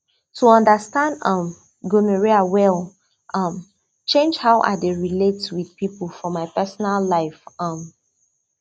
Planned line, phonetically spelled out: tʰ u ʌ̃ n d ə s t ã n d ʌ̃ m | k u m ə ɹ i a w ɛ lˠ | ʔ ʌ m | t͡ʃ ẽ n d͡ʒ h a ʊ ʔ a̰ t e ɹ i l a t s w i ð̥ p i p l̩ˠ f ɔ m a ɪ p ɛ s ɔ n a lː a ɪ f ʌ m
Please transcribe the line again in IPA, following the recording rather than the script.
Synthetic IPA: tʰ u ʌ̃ n d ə s t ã n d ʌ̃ m | ɡ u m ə ɹ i a w ɛ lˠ | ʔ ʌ m | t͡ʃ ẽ n d͡ʒ h a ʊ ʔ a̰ d e ɹ i l e t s w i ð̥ p i p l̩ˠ f ɔ m a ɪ p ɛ s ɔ n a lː a ɪ f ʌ m